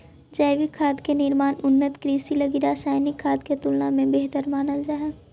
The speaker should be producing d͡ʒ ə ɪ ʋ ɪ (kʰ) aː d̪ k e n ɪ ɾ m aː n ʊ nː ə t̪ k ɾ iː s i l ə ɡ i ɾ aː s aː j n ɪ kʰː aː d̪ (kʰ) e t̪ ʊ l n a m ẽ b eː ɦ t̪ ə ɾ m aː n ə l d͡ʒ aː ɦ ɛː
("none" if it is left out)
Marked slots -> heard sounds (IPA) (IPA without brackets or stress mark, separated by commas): kʰ, k